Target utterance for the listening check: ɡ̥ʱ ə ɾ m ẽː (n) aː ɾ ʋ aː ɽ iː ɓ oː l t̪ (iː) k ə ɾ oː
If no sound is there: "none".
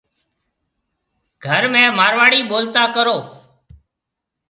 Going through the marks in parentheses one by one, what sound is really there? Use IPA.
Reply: m, aː

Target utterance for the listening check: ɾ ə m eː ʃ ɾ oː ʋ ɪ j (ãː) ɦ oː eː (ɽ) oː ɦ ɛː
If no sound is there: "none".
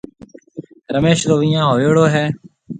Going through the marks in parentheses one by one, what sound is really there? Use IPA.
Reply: ãː, ɽ

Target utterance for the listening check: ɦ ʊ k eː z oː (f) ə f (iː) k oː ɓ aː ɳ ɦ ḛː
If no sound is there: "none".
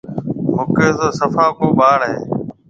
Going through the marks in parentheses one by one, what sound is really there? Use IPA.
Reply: s, aː

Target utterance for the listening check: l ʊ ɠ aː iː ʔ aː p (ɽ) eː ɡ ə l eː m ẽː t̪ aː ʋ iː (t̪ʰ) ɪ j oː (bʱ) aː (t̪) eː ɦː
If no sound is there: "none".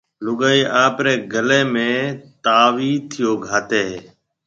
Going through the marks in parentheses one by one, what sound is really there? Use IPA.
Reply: ɾ, t̪ʰ, ɡʱ, t̪

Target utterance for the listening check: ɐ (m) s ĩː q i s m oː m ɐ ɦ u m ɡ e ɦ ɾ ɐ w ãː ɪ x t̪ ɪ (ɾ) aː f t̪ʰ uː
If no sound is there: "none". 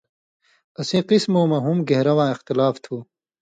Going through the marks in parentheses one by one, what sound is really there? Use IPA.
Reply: none, l

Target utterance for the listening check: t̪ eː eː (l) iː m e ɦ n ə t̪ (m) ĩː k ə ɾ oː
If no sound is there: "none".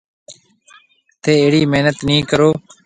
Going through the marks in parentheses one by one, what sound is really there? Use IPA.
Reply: ɽ, n

